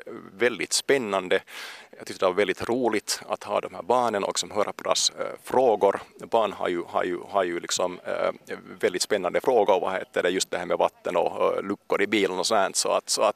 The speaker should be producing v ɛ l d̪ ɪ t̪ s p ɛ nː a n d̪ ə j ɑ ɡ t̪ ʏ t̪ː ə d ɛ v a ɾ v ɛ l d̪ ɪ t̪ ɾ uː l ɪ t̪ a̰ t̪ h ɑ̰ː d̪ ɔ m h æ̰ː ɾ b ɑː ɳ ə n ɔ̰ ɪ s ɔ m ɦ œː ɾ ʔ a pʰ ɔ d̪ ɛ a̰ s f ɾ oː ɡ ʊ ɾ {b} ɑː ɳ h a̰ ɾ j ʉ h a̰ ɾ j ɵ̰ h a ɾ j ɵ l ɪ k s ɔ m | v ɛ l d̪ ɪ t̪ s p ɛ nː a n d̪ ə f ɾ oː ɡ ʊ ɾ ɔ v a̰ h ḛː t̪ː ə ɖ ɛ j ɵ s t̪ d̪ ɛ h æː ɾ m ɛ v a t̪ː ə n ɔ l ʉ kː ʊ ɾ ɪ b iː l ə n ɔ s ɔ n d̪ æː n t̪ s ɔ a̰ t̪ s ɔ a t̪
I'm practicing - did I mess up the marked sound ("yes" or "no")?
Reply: no